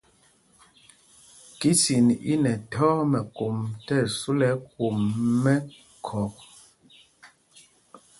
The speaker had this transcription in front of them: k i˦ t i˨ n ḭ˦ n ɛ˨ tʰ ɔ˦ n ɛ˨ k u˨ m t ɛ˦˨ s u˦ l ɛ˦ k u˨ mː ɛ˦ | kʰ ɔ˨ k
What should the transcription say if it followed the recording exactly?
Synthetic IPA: k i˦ s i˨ n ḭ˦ n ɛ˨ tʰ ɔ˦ m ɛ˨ k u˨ m t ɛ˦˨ s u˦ l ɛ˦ k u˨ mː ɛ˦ | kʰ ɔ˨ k